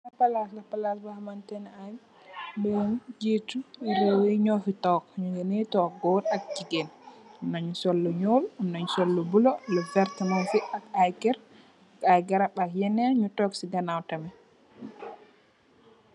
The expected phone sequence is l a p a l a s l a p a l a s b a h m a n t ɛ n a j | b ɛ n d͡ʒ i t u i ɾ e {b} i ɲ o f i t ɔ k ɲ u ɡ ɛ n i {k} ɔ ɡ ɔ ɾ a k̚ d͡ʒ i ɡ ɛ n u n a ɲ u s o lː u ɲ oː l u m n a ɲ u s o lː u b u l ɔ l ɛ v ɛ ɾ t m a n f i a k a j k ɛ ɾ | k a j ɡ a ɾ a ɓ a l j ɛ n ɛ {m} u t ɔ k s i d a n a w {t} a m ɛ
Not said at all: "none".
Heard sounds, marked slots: w, t, ɲ, t

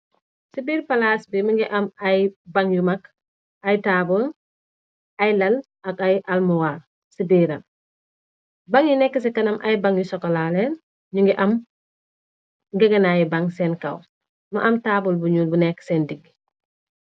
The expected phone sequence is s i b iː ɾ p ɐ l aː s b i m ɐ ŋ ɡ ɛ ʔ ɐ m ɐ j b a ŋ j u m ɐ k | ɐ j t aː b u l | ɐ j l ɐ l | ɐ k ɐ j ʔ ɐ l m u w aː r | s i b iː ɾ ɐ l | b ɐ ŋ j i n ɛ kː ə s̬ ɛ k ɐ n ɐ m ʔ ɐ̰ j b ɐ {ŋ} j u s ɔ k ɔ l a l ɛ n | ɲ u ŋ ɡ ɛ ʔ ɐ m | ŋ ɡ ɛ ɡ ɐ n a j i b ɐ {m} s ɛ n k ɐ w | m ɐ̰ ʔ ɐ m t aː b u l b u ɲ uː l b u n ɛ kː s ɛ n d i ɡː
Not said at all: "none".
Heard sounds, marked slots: ŋ, ŋ

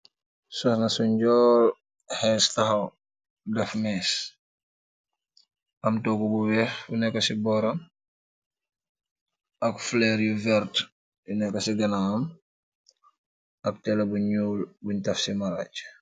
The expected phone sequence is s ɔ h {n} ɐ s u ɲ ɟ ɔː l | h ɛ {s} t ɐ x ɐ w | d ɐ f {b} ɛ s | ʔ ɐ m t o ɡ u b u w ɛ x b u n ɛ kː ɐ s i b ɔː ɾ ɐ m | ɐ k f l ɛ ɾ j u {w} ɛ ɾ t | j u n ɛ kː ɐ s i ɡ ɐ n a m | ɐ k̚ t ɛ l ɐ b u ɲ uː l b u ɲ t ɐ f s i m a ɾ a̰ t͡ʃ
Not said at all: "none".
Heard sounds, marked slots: n, s, m, v

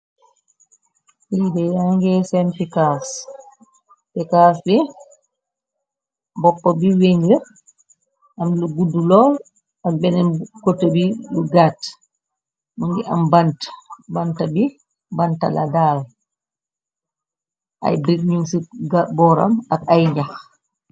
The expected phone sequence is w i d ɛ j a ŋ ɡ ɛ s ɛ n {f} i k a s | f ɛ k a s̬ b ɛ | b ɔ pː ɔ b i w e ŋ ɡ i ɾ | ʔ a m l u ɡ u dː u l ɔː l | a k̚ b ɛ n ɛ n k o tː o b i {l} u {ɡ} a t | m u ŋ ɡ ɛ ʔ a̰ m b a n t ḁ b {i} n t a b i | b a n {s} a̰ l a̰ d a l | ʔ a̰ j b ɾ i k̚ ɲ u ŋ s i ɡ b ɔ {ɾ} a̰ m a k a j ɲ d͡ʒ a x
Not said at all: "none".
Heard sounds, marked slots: f, l, ɡ, a, t, ɾ

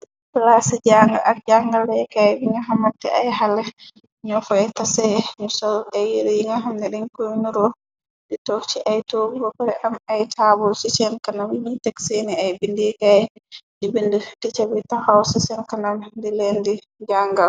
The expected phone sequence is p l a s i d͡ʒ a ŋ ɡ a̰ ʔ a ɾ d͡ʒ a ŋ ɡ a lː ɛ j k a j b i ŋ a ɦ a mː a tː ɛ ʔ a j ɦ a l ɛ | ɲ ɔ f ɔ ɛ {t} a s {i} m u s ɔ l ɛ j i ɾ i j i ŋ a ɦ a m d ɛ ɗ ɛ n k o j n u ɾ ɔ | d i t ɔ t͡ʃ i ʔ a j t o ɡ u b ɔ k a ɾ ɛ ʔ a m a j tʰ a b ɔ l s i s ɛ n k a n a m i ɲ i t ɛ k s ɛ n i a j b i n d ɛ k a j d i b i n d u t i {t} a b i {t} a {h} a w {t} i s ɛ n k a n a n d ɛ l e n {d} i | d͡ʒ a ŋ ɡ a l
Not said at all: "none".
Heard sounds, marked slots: t, ɛ, t͡ʃ, t, h, s, d

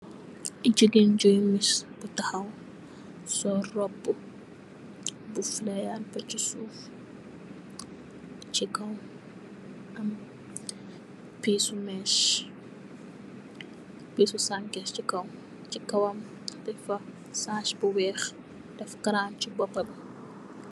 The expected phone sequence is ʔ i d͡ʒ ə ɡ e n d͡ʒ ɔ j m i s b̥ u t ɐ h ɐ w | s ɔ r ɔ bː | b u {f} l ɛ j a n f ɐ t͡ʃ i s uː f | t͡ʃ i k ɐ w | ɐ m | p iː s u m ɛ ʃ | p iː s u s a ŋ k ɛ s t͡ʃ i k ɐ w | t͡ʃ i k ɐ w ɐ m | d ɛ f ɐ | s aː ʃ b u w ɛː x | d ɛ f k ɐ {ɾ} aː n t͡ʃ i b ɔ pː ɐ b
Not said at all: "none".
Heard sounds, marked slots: f, ɾ

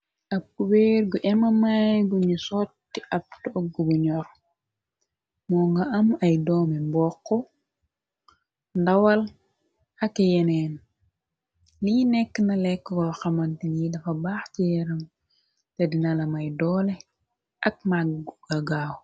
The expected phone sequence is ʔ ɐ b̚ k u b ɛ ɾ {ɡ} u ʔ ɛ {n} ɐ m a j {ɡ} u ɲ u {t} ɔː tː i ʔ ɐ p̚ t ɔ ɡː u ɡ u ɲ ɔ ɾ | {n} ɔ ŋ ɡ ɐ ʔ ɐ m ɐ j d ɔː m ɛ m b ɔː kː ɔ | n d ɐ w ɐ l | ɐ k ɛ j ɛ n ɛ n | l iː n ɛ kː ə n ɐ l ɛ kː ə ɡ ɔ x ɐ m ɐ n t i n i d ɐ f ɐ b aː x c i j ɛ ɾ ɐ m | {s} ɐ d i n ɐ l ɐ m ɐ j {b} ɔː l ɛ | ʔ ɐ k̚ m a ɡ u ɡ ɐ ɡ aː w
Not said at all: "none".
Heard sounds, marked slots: ɡ, m, ɡ, s, m, t, d

